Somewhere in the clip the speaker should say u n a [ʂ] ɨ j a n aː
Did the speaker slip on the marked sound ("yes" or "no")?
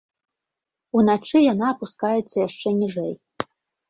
yes